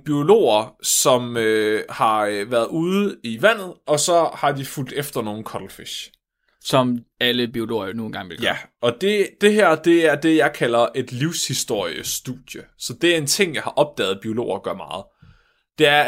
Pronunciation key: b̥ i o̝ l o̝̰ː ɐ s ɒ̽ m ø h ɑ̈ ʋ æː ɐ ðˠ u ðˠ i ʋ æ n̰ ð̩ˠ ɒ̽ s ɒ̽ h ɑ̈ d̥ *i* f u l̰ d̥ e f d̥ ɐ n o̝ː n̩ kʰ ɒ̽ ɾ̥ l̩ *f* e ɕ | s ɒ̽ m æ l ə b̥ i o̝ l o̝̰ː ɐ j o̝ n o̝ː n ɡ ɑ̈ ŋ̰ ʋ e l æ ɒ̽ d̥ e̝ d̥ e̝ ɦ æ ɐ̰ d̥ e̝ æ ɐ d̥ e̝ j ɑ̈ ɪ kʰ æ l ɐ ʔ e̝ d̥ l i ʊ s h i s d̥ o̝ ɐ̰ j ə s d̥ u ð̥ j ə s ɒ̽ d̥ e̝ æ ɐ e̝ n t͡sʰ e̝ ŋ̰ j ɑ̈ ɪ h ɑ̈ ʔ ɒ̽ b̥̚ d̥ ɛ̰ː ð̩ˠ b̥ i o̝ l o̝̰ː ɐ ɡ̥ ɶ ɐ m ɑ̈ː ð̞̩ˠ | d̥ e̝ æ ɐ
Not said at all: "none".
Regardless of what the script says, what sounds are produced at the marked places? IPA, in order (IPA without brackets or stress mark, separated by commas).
i, f